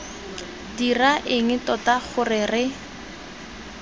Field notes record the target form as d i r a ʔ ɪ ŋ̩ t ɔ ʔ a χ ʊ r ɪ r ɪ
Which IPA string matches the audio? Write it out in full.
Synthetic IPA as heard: d i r a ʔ ɪ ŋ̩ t ɔ t a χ ʊ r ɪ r ɪ